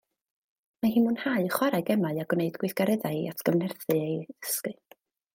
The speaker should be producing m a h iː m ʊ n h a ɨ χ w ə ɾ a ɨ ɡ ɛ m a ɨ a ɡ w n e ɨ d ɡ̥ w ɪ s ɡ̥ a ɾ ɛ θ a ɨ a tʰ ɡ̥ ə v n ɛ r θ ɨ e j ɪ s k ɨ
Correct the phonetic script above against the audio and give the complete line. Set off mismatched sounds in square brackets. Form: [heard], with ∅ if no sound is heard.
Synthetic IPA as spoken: m a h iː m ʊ n h a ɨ χ w [a] ɾ a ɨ ɡ ɛ m a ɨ a ɡ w n e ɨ d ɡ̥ w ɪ [θ] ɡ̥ a ɾ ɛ [ð] a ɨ a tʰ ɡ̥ ə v n ɛ r θ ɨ e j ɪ s k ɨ